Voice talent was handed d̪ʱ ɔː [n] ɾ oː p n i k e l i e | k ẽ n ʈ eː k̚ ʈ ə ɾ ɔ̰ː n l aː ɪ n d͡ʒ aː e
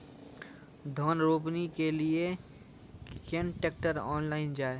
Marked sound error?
no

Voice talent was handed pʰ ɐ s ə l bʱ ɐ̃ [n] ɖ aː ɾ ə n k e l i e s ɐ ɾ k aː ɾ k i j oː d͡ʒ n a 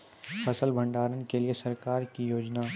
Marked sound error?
yes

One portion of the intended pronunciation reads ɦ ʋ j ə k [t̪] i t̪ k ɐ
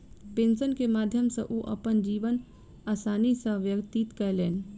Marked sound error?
no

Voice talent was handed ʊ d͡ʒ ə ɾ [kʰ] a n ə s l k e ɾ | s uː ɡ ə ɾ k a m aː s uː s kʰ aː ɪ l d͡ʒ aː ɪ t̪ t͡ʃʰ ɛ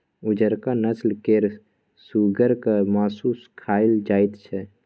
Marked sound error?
yes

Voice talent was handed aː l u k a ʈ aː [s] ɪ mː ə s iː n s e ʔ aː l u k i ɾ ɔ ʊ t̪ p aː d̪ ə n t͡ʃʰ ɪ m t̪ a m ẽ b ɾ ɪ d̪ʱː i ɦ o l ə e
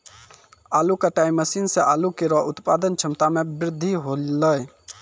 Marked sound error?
yes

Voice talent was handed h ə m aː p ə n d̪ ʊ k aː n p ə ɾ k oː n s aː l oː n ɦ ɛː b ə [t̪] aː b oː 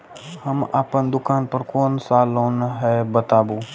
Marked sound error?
no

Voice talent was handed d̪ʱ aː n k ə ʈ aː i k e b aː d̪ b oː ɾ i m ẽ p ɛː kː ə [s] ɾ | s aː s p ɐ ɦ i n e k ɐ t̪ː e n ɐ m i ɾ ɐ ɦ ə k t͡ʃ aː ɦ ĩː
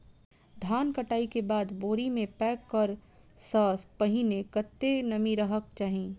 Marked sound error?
yes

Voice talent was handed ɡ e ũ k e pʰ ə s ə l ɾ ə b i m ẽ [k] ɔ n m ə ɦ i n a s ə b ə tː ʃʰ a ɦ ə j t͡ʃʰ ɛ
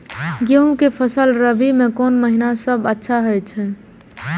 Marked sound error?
no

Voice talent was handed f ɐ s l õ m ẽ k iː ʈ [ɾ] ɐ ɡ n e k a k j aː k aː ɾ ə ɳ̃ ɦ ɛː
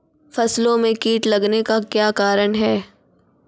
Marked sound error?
yes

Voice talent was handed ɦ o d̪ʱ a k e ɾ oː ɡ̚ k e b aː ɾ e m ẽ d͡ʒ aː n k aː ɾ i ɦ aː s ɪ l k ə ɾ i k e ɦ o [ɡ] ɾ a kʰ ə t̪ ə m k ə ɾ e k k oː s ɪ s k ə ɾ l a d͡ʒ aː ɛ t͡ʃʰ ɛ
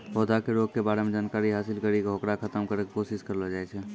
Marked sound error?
yes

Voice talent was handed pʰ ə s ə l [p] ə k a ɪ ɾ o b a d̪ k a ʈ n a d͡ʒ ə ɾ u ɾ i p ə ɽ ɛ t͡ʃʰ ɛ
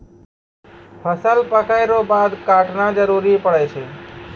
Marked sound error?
no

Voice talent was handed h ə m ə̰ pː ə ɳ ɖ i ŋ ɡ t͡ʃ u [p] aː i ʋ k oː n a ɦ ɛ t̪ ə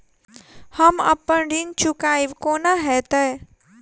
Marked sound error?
yes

